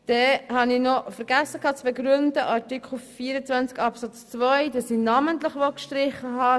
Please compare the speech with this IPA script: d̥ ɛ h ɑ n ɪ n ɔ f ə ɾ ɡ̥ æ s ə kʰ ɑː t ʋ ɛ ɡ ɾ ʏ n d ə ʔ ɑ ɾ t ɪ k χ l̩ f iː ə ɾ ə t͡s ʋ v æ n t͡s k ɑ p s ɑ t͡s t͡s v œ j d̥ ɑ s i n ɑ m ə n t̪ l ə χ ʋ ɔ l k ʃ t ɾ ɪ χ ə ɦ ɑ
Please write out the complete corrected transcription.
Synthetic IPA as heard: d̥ ɛ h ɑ n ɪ n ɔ f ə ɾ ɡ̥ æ s ə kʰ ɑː t͡s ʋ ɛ ɡ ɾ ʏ n d ə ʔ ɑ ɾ t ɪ k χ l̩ f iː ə ɾ ə t͡s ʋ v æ n t͡s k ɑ p s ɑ t͡s t͡s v œ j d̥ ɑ s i n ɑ m ə n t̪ l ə χ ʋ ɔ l k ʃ t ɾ ɪ χ ə ɦ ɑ